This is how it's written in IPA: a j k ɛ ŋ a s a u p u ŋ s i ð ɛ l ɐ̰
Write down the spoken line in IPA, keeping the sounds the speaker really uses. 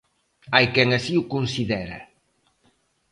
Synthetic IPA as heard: a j k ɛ ŋ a s i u k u n s i ð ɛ ɾ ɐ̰